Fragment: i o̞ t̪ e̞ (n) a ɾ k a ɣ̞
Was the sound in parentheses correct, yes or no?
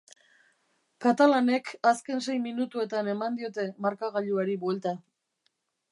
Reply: no